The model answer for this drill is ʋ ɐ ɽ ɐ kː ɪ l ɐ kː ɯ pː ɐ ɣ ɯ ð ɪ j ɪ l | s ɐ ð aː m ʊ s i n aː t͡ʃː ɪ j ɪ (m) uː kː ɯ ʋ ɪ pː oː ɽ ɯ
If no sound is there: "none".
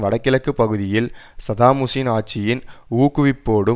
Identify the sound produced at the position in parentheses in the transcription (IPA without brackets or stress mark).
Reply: n